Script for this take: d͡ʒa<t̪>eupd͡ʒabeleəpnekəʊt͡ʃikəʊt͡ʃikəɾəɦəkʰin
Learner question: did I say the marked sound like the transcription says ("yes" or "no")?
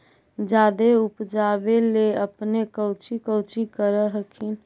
no